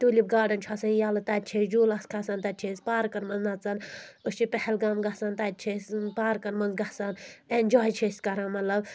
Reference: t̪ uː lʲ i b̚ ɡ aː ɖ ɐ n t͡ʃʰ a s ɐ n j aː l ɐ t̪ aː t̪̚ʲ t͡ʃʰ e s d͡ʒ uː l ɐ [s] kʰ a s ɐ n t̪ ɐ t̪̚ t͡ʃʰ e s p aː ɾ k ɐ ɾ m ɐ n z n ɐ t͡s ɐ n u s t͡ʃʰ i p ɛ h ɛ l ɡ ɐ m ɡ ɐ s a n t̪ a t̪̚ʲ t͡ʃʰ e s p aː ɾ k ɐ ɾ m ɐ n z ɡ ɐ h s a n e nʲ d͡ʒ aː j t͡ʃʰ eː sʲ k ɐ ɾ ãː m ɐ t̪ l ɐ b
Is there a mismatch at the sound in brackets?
no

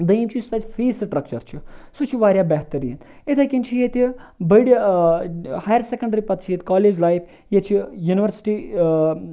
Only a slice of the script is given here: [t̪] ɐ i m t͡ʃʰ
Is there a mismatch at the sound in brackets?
yes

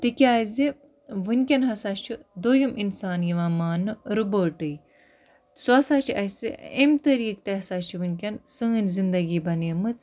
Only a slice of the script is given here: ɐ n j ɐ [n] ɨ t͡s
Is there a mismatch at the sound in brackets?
yes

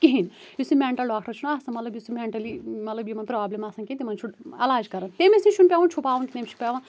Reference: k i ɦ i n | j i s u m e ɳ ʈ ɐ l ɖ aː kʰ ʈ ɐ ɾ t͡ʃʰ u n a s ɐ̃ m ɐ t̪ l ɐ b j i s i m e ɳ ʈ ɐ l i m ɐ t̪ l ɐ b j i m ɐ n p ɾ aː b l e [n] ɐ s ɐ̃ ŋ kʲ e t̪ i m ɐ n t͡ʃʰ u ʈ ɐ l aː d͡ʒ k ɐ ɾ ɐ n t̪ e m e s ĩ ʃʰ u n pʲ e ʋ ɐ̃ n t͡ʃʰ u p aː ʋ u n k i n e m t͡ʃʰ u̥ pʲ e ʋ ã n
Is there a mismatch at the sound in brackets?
yes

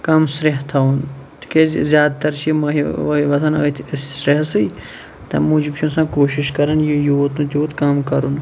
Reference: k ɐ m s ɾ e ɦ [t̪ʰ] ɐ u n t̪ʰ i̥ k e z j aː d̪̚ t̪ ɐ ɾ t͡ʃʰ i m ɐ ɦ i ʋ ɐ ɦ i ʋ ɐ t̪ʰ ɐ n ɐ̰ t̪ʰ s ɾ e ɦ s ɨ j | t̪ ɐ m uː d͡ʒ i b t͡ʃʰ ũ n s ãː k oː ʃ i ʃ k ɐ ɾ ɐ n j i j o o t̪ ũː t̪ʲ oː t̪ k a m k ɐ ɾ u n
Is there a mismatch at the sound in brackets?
no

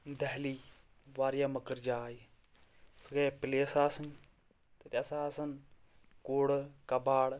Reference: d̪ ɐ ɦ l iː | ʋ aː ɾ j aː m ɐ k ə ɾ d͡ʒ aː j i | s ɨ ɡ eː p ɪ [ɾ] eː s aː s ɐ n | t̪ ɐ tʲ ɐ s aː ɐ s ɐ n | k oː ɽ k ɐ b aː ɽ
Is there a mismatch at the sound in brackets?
yes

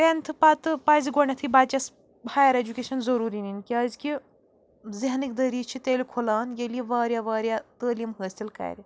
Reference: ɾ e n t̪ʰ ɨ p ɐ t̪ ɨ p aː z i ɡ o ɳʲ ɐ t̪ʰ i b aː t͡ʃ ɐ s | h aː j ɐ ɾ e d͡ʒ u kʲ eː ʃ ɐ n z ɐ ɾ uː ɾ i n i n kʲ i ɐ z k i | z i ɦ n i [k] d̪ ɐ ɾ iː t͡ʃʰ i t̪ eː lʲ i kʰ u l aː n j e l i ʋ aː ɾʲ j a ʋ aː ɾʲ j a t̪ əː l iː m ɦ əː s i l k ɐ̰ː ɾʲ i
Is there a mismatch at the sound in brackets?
no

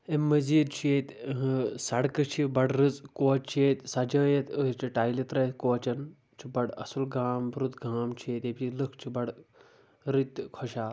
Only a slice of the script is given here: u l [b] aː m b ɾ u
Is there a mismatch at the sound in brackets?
yes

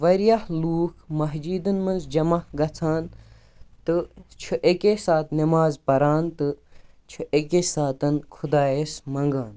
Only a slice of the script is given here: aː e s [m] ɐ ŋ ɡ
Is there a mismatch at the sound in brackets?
no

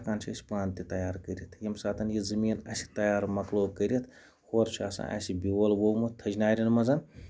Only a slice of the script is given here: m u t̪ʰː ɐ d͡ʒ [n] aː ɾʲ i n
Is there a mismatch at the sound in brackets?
no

